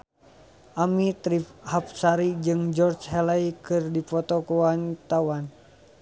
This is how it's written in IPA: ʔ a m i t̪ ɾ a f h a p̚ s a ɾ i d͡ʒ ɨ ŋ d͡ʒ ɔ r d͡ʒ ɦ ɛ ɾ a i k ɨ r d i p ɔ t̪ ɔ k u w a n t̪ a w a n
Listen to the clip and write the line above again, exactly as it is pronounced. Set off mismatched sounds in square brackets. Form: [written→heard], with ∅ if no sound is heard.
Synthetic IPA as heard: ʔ a m i t̪ ɾ [a→i] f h a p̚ s a ɾ i d͡ʒ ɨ ŋ d͡ʒ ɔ r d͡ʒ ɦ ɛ [ɾ→l] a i k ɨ r d i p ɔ t̪ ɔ k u w a n t̪ a w a n